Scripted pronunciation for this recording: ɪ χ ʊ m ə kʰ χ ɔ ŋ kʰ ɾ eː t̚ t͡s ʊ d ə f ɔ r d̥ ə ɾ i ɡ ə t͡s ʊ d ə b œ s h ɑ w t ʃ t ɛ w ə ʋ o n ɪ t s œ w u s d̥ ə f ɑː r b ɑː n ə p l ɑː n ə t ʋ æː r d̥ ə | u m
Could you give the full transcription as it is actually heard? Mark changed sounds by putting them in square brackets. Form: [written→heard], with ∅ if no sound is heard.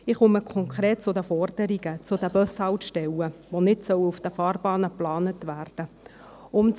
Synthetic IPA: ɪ χ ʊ m ə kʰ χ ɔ ŋ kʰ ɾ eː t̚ t͡s ʊ d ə f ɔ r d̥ ə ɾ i ɡ ə t͡s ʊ d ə b œ s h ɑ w t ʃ t ɛ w ə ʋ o n ɪ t s œ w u [s→f] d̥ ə f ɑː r b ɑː n ə p l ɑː n ə t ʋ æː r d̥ ə | [u→ʊ] m